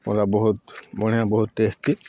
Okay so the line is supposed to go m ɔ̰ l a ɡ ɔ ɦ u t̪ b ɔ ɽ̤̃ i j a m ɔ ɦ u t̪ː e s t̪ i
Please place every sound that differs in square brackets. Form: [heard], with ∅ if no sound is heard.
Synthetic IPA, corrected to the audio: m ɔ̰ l a [b] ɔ ɦ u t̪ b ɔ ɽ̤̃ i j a [b] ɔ ɦ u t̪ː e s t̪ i